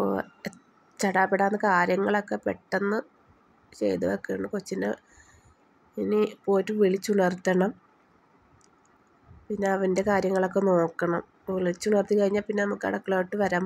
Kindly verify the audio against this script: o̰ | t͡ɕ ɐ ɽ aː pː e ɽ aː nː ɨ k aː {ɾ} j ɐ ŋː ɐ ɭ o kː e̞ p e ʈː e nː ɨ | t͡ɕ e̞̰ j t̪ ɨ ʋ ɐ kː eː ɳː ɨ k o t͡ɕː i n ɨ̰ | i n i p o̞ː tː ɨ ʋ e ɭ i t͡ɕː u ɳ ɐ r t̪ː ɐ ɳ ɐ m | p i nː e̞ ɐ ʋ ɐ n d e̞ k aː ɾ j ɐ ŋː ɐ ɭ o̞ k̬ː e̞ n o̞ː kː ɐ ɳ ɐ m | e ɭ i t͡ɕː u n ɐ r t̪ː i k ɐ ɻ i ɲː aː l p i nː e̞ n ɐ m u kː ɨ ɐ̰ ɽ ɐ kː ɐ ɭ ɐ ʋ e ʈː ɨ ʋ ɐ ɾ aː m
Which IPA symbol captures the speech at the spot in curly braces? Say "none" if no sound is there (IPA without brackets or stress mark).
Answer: ɾ